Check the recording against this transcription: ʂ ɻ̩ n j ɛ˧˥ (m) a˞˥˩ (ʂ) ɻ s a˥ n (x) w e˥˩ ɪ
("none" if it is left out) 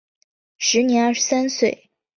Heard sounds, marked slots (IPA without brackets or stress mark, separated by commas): n, ʂ, s